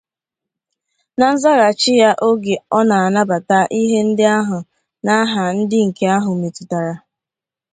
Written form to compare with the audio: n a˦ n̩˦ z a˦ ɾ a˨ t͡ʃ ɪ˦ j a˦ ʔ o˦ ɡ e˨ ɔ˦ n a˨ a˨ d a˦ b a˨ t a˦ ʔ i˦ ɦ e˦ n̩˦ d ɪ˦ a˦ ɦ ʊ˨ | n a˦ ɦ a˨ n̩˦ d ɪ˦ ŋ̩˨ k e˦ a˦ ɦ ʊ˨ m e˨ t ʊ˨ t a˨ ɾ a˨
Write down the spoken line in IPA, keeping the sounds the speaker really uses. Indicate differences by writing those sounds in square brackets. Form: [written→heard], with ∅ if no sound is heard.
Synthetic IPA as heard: n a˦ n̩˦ z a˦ ɾ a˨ t͡ʃ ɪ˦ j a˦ ʔ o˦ ɡ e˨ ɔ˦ n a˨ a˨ [d→n] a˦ b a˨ t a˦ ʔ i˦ ɦ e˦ n̩˦ d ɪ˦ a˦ ɦ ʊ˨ | n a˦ ɦ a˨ n̩˦ d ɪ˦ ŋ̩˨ k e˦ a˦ ɦ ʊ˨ m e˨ t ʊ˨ t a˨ ɾ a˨